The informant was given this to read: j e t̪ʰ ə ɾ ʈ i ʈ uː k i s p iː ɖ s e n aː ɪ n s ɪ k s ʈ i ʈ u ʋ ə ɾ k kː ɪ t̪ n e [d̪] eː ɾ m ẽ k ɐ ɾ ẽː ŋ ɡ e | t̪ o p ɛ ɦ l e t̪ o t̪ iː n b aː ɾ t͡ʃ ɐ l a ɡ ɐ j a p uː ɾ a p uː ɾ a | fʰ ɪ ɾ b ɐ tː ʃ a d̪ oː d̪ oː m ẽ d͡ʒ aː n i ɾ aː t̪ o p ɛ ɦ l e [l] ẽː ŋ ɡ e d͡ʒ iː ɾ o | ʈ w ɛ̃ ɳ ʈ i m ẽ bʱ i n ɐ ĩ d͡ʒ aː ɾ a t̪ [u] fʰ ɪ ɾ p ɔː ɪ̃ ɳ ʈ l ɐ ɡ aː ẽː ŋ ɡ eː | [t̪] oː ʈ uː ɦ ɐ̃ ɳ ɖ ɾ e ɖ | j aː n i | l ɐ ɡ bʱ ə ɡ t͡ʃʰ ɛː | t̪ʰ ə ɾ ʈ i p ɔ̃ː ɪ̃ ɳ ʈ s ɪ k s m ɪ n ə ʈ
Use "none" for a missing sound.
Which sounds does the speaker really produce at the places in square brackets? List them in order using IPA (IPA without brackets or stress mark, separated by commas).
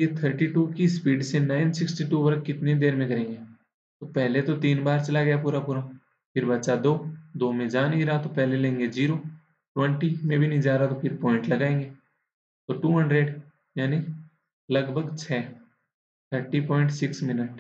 d̪, l, o, t̪